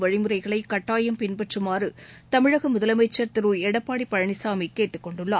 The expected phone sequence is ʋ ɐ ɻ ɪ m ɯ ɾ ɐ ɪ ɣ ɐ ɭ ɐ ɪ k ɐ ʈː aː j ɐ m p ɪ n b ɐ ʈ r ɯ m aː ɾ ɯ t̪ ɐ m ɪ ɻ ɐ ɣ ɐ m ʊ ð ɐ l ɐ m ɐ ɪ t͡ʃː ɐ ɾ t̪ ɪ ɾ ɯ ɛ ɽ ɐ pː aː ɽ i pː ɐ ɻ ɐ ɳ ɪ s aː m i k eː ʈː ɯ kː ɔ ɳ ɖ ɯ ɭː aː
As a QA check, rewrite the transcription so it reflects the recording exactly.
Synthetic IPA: ʋ ɐ ɻ ɪ m ɯ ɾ ɐ ɪ ɣ ɐ ɭ ɐ ɪ k ɐ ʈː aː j ɐ m p ɪ n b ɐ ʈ r ɯ m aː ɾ ɯ t̪ ɐ m ɪ ɻ ɐ ɣ ɐ m ʊ ð ɐ l ɐ m ɐ ɪ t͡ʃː ɐ ɾ t̪ ɪ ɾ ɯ ɛ ɽ ɐ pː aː ɽ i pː ɐ ɻ ɐ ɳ ɪ s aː m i k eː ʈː ɯ kː ɔ ɳ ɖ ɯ ɭː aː